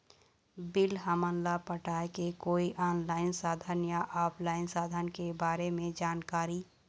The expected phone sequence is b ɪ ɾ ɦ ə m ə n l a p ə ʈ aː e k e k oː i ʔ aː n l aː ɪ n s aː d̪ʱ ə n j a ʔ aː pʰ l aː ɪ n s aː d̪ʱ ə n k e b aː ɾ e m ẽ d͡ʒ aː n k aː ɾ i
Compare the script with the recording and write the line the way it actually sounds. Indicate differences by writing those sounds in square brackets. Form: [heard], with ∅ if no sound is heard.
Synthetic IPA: b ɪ [l] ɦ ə m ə n l a p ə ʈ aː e k e k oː i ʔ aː n l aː ɪ n s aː d̪ʱ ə n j a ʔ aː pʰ l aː ɪ n s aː d̪ʱ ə n k e b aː ɾ e m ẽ d͡ʒ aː n k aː ɾ i